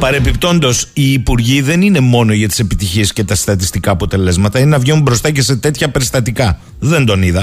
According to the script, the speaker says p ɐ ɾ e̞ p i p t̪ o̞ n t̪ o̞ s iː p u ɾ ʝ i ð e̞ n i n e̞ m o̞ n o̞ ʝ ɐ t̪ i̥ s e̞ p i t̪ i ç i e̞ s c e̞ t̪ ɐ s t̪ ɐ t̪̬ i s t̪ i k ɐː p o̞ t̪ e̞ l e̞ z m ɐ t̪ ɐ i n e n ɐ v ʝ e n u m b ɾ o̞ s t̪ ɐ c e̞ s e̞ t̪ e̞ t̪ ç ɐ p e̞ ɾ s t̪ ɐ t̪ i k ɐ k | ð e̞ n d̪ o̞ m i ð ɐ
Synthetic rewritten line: p ɐ ɾ e̞ p i p t̪ o̞ n d̪ o̞ s iː p u ɾ ʝ i ð e̞ n i n e̞ m o̞ n o̞ ʝ ɐ t̪ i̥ s e̞ p i t̪ i ç i e̞ s c e̞ t̪ ɐ s t̪ ɐ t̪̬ i s t̪ i k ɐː p o̞ t̪ e̞ l e̞ z m ɐ t̪ ɐ i n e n ɐ v ʝ e n u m b ɾ o̞ s t̪ ɐ c e̞ s e̞ t̪ e̞ t̪ ç ɐ p e̞ ɾ s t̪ ɐ t̪ i k ɐ | ð e̞ n d̪ o̞ n i ð ɐ